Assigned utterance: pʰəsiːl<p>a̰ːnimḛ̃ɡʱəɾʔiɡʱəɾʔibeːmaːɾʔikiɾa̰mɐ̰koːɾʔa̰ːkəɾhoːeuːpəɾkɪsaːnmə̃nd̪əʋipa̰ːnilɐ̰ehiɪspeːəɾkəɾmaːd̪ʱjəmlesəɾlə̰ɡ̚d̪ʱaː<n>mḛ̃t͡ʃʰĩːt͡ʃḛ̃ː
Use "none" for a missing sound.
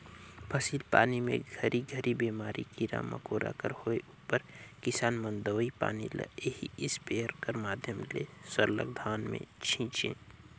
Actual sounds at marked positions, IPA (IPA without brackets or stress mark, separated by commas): p, n